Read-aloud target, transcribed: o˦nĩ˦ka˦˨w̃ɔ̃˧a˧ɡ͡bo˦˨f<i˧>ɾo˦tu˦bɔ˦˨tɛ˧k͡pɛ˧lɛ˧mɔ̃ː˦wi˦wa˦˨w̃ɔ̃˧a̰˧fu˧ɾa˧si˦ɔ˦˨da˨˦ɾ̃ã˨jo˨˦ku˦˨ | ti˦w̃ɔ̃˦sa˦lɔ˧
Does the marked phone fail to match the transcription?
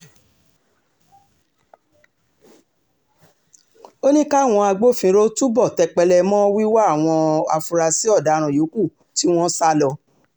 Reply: yes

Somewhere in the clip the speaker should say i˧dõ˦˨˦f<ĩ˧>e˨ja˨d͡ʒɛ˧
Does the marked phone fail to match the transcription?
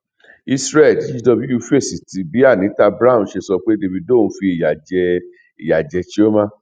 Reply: yes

